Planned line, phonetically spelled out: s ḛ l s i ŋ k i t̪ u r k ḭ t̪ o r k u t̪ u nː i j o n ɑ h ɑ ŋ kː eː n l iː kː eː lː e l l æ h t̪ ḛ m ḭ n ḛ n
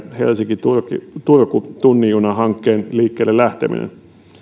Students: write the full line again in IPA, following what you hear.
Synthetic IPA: h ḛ l s i ŋ k i t̪ u r k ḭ t̪ u r k u t̪ u nː i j u n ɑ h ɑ ŋ kː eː n l iː kː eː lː e l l æ h t̪ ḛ m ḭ n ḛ n